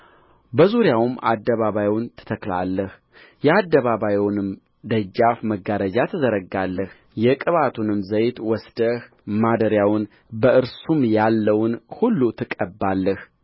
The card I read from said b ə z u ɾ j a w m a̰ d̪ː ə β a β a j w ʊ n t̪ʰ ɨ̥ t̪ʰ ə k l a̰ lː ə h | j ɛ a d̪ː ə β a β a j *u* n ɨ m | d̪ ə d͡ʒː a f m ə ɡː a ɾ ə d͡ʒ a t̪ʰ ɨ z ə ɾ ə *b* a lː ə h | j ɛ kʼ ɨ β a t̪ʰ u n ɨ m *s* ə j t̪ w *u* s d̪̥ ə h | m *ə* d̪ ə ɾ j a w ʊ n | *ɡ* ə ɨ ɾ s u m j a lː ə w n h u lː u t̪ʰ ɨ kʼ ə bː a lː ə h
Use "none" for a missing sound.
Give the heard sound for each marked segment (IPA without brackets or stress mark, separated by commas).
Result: w, ɡ, z, ɔ, a, b